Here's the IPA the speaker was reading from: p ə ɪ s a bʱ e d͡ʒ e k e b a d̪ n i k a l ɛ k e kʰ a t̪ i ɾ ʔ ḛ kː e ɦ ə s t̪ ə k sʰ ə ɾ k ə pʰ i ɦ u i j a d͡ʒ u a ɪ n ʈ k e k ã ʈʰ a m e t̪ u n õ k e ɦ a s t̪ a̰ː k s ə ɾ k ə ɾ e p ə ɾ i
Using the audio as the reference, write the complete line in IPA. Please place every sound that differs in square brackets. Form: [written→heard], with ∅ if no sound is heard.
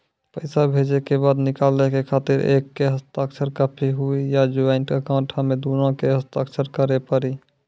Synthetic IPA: p ə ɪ s a bʱ e d͡ʒ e k e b a d̪ n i k a l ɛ k e kʰ a t̪ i ɾ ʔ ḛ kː e ɦ ə s t̪ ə k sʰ ə ɾ k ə pʰ i ɦ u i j a d͡ʒ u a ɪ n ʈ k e k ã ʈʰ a m e [t̪→d̪] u n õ k e ɦ [a→ə] s t̪ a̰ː k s ə ɾ k ə ɾ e p ə ɾ i

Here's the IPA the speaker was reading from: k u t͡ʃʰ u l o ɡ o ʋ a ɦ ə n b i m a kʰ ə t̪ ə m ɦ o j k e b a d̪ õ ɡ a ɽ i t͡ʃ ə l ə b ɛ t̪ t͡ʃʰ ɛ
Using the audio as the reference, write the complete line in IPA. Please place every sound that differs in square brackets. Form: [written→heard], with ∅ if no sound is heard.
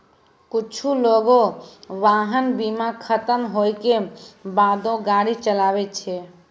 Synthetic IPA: k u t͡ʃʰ u l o ɡ o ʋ a ɦ ə n b i m a kʰ ə t̪ ə m ɦ o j k e b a d̪ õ ɡ a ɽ i t͡ʃ ə l [ə→a] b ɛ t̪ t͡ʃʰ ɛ

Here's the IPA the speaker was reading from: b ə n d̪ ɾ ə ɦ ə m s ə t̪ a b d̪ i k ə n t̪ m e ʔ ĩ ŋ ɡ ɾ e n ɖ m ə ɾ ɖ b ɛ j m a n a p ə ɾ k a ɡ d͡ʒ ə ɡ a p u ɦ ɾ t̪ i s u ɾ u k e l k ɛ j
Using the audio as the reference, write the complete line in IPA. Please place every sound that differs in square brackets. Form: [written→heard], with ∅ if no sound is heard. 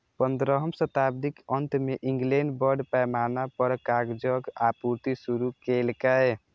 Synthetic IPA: [b→p] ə n d̪ ɾ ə ɦ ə m s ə t̪ a b d̪ i k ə n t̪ m e ʔ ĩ ŋ ɡ [ɾ→l] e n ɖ [m→b] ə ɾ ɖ [b→p] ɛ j m a n a p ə ɾ k a ɡ d͡ʒ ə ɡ a p u [ɦ→∅] ɾ t̪ i s u ɾ u k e l k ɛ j

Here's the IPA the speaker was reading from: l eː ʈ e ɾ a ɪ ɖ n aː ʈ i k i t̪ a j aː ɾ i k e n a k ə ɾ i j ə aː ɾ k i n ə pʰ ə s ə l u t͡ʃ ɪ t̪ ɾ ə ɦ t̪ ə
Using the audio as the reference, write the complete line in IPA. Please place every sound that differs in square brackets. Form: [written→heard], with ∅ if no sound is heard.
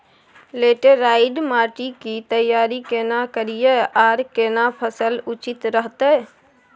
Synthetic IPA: l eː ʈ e ɾ a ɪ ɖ [n→m] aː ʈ i k i t̪ [a→ə] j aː ɾ i k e n a k ə ɾ i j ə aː ɾ k [i→e] n [ə→a] pʰ ə s ə l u t͡ʃ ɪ t̪ ɾ ə ɦ t̪ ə

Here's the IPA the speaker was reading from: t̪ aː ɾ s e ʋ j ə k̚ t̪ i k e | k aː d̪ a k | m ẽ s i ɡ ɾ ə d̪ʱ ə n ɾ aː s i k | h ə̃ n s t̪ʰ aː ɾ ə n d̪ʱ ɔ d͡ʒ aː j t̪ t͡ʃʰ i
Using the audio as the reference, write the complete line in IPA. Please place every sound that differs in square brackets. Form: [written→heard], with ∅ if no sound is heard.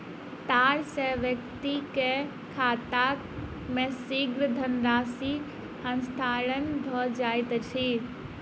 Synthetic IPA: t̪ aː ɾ s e ʋ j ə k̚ t̪ i k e | [k→kʰ] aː [d̪→t̪] a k | m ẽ s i ɡ ɾ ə d̪ʱ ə n ɾ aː s i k | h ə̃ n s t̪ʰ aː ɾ ə n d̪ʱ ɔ d͡ʒ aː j t̪ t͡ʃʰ i

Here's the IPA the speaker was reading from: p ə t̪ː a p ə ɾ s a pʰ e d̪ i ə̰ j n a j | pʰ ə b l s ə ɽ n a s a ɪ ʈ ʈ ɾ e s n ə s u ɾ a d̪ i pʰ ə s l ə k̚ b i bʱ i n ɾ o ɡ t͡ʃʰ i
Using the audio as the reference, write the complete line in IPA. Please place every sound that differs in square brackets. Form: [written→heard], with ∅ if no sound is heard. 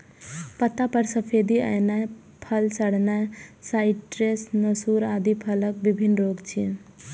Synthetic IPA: p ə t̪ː a p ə ɾ s [a→ə] pʰ e d̪ i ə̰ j n a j | pʰ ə [b→∅] l s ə ɽ n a s a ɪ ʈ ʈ ɾ e s n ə s u ɾ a d̪ i pʰ ə [s→∅] l ə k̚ b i bʱ i n ɾ o ɡ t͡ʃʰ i

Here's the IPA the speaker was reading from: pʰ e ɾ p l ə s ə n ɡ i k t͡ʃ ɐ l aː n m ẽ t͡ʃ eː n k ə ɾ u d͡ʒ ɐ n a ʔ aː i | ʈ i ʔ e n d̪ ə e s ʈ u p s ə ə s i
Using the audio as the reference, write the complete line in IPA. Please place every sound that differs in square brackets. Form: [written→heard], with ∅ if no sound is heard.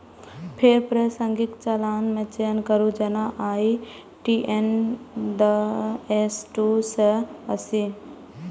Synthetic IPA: pʰ e ɾ p [l→ɾ] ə s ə [n→ŋ] ɡ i k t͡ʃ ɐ l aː n m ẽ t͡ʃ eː n k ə ɾ u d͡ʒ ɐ n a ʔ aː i | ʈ i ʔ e n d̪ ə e s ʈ u [p→∅] s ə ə s i

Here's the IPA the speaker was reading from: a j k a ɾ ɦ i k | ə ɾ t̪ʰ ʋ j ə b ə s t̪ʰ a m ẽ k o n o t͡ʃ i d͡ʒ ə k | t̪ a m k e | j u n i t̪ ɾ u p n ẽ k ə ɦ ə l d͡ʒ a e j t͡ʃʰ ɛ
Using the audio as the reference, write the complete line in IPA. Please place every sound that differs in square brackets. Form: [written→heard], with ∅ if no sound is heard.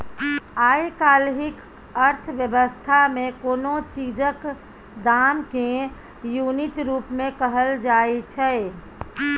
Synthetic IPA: a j k a [ɾ→l] ɦ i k | ə ɾ t̪ʰ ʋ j ə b ə s t̪ʰ a m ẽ k o n o t͡ʃ i d͡ʒ ə k | [t̪→d̪] a m k e | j u n i t̪ ɾ u p [n→m] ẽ k ə ɦ ə l d͡ʒ a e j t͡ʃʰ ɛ

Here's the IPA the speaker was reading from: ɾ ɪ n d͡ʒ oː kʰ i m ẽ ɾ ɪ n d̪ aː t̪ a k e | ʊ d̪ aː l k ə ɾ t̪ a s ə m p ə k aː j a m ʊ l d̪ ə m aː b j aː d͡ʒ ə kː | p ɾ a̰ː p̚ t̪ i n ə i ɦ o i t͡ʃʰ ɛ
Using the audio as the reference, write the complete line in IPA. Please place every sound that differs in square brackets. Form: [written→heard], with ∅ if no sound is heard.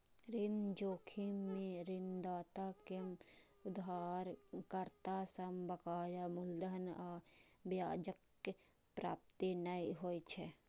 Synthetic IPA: ɾ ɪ n d͡ʒ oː kʰ i m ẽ ɾ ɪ n d̪ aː t̪ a k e | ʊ d̪ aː [l→ɾ] k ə ɾ t̪ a s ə m [p→b] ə k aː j a m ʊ l d̪ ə [m→n] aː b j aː d͡ʒ ə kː | p ɾ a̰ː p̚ t̪ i n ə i ɦ o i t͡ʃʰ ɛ

